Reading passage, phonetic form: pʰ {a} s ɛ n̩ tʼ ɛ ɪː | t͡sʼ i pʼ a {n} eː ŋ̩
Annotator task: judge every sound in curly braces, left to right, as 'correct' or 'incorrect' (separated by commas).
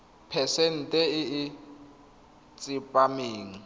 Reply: incorrect, incorrect